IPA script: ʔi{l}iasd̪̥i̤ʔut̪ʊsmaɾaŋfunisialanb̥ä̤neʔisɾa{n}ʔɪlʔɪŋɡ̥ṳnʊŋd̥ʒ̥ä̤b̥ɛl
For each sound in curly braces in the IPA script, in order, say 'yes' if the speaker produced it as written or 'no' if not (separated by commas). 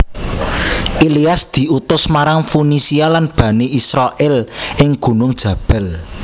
yes, no